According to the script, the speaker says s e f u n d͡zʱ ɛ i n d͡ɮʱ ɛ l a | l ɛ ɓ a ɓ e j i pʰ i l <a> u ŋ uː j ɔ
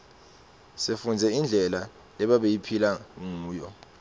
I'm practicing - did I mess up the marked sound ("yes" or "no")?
no